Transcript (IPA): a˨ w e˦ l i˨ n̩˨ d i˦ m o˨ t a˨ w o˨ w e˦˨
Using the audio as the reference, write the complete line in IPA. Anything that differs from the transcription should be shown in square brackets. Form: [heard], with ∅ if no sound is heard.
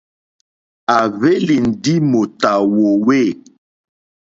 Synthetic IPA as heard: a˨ [v] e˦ l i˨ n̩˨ d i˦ m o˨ t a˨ w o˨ w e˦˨